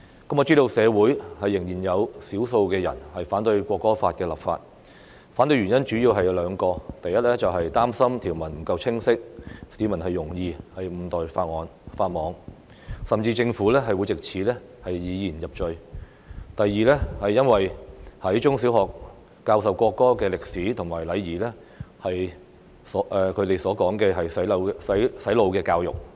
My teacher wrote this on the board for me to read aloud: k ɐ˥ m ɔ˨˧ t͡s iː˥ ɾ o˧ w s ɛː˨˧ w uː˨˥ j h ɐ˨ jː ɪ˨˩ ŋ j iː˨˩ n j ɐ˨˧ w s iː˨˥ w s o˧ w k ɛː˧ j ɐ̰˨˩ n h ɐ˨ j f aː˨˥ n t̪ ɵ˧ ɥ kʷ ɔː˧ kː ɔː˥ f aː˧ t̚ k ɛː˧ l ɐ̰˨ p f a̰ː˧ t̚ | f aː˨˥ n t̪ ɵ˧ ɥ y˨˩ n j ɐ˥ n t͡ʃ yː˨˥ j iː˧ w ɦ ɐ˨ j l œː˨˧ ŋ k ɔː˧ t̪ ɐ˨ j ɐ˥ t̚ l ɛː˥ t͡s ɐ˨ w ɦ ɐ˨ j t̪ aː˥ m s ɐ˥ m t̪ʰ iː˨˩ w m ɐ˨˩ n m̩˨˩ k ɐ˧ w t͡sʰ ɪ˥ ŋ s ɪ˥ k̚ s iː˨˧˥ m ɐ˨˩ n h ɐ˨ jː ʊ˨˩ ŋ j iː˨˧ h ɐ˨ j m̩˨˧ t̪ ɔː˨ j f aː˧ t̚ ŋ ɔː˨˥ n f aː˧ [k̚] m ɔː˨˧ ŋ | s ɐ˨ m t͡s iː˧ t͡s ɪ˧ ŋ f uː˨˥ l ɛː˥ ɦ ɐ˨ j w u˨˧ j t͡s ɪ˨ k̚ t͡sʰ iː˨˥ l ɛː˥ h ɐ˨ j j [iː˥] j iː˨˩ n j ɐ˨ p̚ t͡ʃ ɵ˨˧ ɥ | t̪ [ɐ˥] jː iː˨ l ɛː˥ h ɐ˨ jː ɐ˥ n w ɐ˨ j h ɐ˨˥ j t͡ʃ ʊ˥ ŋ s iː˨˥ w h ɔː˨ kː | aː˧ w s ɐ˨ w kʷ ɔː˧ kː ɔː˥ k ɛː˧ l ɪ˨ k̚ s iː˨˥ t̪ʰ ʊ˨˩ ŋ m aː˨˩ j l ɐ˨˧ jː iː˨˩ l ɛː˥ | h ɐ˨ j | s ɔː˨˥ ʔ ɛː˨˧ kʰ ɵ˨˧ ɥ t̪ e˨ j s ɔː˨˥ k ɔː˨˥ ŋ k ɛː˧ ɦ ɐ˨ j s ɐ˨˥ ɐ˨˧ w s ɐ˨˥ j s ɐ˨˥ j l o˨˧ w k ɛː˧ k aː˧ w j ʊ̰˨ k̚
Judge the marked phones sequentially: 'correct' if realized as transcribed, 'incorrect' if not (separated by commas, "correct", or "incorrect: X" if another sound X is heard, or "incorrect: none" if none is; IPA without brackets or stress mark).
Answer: incorrect: t̚, incorrect: iː˨˧, incorrect: ɐ˨